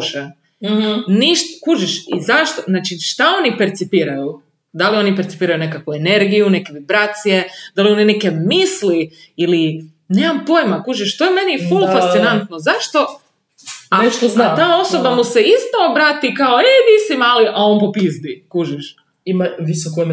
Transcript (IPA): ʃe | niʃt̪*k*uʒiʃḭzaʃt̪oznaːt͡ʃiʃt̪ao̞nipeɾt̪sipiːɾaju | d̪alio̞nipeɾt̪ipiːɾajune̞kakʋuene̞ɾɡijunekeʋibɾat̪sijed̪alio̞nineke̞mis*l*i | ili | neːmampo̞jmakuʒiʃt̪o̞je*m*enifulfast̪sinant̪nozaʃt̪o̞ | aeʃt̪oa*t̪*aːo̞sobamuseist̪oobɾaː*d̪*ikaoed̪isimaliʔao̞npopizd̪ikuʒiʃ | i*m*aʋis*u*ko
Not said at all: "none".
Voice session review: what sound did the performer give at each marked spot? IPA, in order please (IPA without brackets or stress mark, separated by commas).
k, l, m, t̪, t̪, m, o